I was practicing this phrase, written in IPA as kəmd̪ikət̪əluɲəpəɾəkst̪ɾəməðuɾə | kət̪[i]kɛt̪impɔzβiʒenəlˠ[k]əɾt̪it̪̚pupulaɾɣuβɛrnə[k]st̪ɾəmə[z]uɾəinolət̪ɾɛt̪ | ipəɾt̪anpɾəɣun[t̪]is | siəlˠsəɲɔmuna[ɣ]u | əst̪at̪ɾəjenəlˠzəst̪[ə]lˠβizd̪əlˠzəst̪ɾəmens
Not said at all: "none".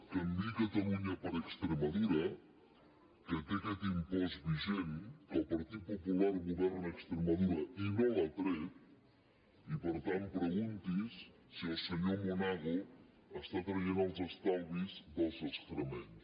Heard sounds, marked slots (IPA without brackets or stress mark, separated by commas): e, p, k, ð, t̪, ɣ, a